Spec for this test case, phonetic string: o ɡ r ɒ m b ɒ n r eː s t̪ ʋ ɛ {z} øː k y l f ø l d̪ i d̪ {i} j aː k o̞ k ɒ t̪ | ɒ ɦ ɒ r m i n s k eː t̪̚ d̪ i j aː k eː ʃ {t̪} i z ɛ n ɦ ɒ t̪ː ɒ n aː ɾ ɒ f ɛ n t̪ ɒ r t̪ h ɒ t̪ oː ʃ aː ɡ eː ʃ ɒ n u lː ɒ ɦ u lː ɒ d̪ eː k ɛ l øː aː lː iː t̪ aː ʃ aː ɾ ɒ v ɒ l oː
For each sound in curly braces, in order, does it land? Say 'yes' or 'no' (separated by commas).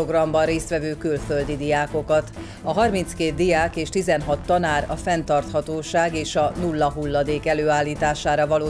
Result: no, yes, yes